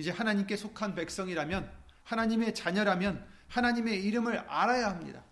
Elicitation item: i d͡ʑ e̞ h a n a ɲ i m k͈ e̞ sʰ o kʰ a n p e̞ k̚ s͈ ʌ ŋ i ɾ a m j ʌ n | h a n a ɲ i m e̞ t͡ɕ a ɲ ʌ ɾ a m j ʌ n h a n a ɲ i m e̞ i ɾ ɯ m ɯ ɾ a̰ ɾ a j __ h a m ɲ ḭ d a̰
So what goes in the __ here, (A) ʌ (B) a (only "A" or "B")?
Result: B